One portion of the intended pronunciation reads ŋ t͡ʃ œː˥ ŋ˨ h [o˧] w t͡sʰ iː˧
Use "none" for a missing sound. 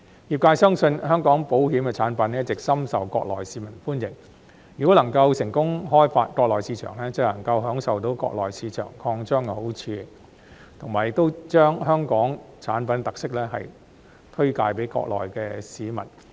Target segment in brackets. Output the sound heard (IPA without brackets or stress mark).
o˨˥